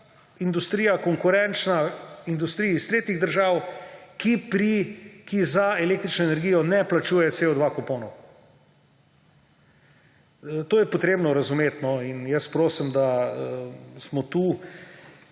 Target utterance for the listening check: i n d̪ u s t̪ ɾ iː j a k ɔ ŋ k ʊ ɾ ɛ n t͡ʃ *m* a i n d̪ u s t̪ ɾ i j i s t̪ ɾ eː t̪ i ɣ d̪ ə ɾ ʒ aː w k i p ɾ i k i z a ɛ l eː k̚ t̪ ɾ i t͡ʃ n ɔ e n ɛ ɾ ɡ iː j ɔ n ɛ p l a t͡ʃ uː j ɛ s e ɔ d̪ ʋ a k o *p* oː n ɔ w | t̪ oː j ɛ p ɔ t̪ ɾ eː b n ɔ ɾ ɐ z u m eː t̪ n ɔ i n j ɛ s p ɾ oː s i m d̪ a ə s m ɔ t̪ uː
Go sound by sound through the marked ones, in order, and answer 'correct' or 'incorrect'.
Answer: incorrect: n, correct

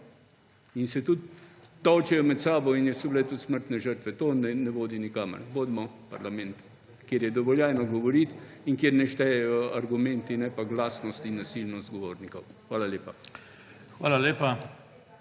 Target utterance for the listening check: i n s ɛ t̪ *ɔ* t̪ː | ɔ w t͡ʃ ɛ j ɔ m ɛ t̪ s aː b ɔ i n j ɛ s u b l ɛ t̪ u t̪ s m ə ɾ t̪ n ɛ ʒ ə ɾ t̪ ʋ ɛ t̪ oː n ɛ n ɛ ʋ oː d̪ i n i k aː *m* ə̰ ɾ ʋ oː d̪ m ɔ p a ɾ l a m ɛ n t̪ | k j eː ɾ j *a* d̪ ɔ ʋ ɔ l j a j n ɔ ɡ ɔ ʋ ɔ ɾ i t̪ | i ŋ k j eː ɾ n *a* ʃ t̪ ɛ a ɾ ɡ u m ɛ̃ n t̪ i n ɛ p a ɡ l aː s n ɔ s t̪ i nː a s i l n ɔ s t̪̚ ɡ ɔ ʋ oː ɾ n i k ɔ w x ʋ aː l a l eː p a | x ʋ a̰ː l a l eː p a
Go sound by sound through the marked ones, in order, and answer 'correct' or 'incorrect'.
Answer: incorrect: u, correct, incorrect: ɛ, incorrect: ɛ

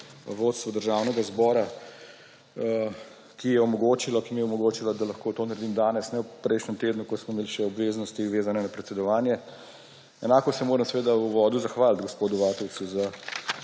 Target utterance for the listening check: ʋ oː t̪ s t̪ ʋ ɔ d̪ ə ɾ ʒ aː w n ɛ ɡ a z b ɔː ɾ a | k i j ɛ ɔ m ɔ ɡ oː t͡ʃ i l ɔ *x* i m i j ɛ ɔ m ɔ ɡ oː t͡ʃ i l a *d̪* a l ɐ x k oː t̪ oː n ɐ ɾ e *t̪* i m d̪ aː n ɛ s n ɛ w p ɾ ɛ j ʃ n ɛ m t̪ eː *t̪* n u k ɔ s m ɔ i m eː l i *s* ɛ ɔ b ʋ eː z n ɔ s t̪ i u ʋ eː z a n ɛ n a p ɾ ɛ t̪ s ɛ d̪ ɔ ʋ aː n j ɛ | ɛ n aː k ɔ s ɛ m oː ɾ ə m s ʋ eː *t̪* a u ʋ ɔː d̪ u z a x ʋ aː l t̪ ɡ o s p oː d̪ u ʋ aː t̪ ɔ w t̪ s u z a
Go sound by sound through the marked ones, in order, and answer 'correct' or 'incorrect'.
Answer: incorrect: k, correct, incorrect: d̪, incorrect: d̪, incorrect: ʃ, incorrect: d̪

